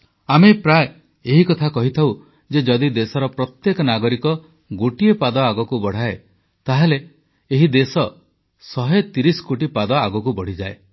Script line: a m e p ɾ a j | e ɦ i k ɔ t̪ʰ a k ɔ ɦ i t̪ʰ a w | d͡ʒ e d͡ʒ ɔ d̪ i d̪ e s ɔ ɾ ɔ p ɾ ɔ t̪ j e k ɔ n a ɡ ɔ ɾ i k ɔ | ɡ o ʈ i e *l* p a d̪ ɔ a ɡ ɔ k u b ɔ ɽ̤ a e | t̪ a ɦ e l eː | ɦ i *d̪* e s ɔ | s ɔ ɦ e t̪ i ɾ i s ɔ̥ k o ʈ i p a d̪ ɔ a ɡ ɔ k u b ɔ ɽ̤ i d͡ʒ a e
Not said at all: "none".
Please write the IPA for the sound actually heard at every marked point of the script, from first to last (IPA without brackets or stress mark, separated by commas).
none, d̪